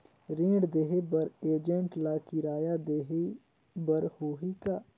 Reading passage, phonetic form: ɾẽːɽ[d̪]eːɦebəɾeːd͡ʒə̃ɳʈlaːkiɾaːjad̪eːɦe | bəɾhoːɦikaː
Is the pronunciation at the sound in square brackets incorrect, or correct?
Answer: correct